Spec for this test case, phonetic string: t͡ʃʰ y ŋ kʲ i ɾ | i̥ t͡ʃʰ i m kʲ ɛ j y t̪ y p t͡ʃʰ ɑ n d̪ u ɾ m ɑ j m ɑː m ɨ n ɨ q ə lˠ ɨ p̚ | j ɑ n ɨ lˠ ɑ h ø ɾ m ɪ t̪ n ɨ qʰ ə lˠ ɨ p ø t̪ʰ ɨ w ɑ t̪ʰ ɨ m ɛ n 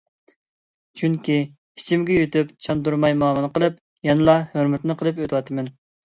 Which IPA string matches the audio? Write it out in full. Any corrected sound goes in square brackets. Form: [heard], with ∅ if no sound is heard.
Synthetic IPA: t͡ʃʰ y ŋ kʲ i [∅] | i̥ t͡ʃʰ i m [ɡʲ] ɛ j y t̪ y p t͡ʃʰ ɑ n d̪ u ɾ m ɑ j m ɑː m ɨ n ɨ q ə lˠ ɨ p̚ | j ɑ n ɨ lˠ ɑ h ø ɾ m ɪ t̪ n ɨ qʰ ə lˠ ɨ p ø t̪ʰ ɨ w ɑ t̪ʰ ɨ m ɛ n

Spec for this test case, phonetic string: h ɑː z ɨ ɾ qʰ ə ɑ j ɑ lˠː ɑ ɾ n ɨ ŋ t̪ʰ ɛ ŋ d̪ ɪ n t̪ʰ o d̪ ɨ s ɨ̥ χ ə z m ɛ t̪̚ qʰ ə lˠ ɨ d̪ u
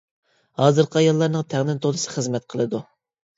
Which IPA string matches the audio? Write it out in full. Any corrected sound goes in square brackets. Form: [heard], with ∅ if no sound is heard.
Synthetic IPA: h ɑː z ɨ ɾ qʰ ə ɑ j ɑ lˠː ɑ ɾ n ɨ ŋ t̪ʰ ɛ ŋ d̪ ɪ n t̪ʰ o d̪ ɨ s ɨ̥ χ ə z m ɛ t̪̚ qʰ ə lˠ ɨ d̪ u

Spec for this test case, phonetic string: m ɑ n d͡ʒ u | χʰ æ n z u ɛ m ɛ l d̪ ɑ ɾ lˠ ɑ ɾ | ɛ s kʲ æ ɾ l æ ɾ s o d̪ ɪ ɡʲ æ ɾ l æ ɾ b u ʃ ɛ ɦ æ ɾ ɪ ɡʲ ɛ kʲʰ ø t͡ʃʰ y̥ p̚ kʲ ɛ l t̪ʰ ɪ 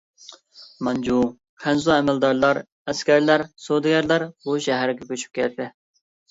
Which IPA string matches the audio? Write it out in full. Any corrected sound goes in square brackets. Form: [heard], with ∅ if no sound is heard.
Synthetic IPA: m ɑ n d͡ʒ u | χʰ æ n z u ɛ m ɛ l d̪ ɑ ɾ lˠ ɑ ɾ | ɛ s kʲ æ ɾ l æ ɾ s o d̪ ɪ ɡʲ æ ɾ l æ ɾ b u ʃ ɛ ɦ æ ɾ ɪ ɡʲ ɛ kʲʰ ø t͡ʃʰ y̥ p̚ kʲ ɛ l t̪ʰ ɪ

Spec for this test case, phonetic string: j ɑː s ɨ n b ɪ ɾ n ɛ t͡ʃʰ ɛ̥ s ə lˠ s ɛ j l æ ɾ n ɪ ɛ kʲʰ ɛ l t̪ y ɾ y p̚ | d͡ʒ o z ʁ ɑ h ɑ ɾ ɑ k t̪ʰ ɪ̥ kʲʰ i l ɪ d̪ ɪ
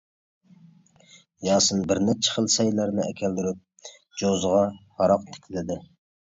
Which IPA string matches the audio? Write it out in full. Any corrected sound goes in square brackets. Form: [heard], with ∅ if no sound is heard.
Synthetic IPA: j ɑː s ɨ n b ɪ ɾ n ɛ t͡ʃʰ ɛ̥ [χ] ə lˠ s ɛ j l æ ɾ n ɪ ɛ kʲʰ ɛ l [d̪] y ɾ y p̚ | d͡ʒ o z ʁ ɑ h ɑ ɾ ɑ [q] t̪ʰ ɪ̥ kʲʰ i l ɪ d̪ ɪ

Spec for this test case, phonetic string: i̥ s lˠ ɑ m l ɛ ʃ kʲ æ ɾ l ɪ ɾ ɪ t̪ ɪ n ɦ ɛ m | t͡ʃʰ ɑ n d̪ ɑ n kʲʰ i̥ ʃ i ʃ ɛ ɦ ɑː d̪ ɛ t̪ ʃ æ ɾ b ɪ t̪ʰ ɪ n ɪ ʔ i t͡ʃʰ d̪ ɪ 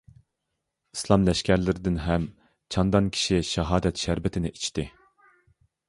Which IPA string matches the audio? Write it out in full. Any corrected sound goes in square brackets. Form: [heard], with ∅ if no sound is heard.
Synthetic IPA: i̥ s lˠ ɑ m l ɛ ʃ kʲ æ ɾ l ɪ ɾ ɪ [d̪] ɪ n ɦ ɛ m | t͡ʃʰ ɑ n d̪ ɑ n kʲʰ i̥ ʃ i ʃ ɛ ɦ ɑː d̪ ɛ t̪ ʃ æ ɾ b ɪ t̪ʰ ɪ n ɪ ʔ i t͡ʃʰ [t̪] ɪ

